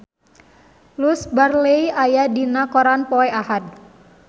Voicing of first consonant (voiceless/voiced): voiced